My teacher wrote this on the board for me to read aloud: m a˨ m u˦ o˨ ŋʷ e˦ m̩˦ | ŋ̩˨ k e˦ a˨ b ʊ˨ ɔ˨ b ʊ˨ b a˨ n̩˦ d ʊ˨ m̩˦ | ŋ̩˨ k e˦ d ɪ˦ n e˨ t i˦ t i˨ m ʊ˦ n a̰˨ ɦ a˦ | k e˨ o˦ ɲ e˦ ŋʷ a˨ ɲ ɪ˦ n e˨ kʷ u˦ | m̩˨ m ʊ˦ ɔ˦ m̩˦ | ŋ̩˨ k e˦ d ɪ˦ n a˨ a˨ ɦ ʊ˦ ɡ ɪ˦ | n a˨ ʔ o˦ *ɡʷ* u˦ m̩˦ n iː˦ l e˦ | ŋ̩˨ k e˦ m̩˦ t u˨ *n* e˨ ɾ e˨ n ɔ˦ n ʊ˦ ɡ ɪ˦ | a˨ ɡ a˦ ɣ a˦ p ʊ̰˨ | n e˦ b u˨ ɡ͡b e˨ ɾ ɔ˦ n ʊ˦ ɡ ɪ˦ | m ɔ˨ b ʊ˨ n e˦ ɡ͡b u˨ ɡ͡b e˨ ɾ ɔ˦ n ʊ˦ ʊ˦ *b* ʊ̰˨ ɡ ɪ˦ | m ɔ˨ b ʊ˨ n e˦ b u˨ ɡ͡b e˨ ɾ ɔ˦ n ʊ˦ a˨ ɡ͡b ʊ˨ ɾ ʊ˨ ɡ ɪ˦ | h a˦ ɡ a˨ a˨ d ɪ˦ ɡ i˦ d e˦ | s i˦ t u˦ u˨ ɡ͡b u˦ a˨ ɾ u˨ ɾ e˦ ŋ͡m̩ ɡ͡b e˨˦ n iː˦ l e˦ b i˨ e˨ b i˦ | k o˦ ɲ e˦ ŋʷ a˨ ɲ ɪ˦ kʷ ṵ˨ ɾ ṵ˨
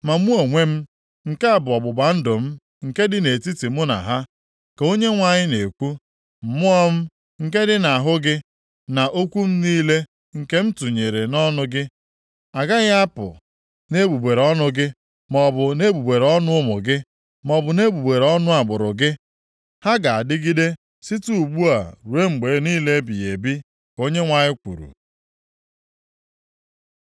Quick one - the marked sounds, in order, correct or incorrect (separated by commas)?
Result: incorrect, incorrect, incorrect